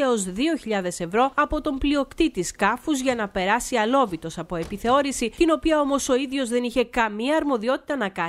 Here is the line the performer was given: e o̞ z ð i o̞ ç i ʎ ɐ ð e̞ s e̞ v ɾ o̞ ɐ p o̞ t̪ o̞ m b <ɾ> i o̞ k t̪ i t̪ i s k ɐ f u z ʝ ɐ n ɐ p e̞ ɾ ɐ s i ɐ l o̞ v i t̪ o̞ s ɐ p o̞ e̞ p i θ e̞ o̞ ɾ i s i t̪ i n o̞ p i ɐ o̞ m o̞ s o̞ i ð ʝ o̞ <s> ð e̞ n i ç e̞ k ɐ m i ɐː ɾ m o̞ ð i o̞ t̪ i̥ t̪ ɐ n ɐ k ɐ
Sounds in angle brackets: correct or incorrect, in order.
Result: incorrect: l, incorrect: z

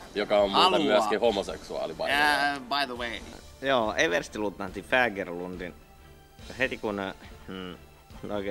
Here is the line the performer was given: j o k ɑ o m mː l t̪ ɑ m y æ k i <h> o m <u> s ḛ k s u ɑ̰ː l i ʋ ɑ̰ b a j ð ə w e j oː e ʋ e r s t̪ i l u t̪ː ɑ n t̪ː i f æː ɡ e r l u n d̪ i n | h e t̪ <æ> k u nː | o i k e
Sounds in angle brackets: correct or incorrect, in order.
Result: correct, incorrect: o, incorrect: i

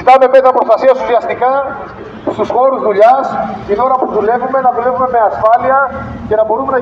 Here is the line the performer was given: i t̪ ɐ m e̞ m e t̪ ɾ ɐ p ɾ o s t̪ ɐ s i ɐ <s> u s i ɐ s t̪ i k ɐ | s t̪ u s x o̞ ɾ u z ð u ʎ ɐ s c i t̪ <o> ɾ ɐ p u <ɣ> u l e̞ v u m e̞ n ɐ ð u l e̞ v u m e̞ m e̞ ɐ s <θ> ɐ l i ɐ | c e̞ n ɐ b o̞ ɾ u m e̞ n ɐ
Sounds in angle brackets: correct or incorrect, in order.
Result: correct, correct, incorrect: ð, incorrect: f

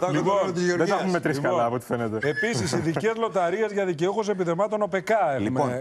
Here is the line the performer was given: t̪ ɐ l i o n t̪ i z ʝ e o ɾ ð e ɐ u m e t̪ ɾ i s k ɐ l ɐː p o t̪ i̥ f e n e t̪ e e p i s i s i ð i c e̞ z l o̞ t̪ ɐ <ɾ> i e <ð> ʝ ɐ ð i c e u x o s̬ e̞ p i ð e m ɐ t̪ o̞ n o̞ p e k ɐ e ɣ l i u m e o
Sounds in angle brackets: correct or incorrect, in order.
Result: correct, incorrect: z

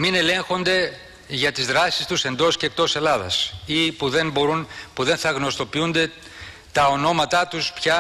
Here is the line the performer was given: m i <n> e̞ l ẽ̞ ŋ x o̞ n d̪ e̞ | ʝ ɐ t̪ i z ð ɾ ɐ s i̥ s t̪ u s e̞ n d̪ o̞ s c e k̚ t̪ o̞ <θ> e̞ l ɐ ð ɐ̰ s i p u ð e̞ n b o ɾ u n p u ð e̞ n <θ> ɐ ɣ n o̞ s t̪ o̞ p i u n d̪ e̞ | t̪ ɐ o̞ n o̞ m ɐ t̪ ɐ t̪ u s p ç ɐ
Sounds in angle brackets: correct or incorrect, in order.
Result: correct, incorrect: s, correct

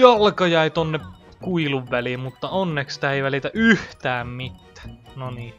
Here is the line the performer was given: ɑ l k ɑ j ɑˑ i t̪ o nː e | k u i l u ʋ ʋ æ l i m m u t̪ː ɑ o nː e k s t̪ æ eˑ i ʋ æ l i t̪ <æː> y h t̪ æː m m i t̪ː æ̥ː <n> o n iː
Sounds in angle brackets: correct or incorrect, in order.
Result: incorrect: æ, correct

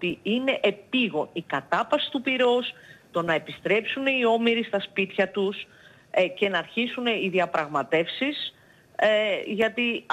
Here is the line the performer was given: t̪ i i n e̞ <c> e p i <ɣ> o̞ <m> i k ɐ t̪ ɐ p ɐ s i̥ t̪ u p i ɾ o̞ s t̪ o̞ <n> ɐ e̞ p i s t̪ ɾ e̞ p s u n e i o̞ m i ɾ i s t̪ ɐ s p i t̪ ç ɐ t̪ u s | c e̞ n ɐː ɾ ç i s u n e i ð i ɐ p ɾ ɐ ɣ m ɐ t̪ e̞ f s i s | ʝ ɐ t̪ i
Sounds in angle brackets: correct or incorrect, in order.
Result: incorrect: ʔ, correct, incorrect: n, correct

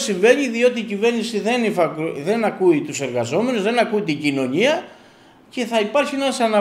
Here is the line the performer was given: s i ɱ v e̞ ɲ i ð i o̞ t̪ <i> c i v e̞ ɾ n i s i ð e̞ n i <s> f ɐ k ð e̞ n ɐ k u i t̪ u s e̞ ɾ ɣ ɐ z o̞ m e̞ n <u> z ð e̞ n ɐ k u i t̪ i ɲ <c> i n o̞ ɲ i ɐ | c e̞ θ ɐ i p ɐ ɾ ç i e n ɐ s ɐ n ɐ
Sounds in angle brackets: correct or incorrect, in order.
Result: incorrect: iː, incorrect: none, correct, incorrect: ɟ

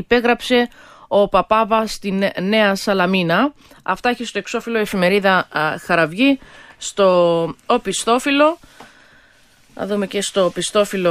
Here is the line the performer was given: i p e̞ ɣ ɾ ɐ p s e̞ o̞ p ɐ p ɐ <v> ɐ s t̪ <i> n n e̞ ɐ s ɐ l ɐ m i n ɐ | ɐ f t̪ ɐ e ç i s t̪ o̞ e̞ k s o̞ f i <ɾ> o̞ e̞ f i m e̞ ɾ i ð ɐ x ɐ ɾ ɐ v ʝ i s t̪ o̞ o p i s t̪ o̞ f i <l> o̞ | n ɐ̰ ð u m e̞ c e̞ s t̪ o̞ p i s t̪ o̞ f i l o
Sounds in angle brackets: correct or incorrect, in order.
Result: correct, correct, incorrect: l, correct

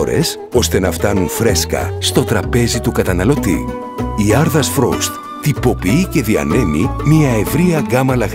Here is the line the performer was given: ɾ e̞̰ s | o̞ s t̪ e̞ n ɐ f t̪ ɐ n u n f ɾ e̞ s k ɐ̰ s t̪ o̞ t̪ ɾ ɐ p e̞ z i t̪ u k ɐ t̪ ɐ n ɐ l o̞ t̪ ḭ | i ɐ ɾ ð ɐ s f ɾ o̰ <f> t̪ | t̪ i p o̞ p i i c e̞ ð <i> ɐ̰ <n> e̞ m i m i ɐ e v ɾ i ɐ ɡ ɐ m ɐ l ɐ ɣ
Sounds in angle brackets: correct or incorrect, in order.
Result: incorrect: s, correct, correct

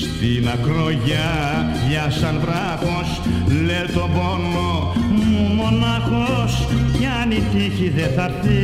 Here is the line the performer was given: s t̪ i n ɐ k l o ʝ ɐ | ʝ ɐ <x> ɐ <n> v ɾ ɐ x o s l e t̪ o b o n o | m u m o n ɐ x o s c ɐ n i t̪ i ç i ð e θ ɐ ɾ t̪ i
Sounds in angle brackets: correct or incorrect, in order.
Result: incorrect: s, correct

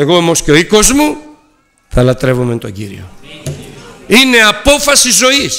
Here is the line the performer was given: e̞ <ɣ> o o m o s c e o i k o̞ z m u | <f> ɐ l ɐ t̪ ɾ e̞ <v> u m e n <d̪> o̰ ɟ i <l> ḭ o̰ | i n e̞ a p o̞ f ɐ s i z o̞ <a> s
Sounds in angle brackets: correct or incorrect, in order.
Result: correct, incorrect: θ, correct, incorrect: t̪, incorrect: ɾ, incorrect: i

